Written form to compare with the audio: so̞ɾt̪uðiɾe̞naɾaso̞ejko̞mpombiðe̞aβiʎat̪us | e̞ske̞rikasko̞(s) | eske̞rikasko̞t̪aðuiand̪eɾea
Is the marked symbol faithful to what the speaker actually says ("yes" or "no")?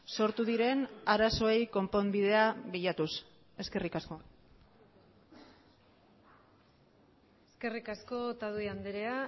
no